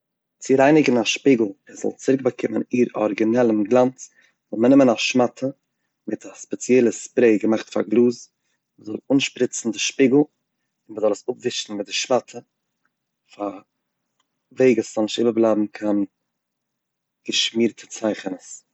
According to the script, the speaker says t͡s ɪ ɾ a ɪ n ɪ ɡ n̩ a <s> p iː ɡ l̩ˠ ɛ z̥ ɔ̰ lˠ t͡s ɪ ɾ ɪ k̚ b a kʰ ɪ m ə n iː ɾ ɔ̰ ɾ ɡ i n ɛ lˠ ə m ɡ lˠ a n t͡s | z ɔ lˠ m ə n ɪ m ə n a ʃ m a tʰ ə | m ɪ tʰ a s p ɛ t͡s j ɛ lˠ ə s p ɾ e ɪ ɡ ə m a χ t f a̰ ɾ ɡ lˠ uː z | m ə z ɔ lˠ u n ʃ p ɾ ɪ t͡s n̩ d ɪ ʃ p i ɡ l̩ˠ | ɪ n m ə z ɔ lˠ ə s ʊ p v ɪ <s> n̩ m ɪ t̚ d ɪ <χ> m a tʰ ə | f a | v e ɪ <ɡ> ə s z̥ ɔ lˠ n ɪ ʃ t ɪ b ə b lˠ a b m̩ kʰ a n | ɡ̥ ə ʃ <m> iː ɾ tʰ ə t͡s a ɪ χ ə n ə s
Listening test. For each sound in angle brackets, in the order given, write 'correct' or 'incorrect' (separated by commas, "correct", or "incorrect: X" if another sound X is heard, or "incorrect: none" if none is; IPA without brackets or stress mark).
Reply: incorrect: ʃ, incorrect: ʃ, incorrect: ʃ, correct, correct